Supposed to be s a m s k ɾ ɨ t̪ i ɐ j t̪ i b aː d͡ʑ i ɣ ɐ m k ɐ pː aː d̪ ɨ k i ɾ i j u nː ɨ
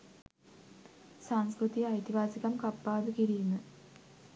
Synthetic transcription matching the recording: s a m s k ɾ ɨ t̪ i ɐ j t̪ i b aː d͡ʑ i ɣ ɐ m k ɐ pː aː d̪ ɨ k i ɾ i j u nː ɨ